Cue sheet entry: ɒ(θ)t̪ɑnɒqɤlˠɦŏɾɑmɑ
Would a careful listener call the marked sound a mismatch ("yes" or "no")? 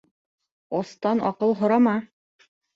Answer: yes